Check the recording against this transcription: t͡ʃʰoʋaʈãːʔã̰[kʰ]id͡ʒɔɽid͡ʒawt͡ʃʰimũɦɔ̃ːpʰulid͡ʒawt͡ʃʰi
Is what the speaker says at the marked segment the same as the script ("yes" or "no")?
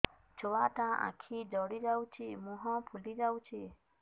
yes